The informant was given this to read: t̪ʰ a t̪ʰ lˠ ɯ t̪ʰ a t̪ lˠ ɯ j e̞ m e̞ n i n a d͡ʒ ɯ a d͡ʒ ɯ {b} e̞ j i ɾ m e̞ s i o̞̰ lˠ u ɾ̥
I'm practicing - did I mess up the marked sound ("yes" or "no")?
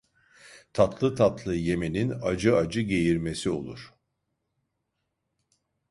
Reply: yes